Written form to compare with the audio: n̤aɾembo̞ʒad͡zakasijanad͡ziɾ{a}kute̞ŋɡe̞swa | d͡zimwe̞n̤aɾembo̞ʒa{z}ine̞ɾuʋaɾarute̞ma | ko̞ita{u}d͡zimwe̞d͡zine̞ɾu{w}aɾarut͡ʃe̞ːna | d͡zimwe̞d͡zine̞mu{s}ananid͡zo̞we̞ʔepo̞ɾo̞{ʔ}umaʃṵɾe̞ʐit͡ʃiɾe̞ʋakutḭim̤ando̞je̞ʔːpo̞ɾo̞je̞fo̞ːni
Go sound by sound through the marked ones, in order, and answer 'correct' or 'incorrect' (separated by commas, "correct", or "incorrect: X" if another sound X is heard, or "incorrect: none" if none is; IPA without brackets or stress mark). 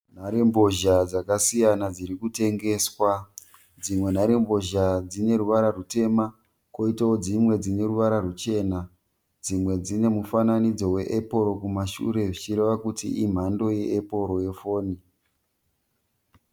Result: incorrect: i, incorrect: d͡z, incorrect: o, incorrect: ʋ, incorrect: f, incorrect: k